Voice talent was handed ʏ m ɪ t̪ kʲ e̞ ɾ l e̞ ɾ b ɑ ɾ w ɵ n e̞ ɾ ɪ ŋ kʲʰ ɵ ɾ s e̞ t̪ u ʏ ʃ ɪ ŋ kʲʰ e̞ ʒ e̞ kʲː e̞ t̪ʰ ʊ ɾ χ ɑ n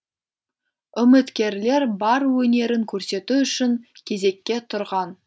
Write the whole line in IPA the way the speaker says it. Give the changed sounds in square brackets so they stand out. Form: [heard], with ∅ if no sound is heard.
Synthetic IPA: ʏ m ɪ t̪ kʲ e̞ ɾ l e̞ ɾ b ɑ ɾ w ɵ n e̞ ɾ ɪ ŋ kʲʰ ɵ ɾ s e̞ t̪ u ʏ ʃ ɪ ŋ kʲʰ e̞ [z] e̞ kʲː e̞ t̪ʰ ʊ ɾ [ʁ] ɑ n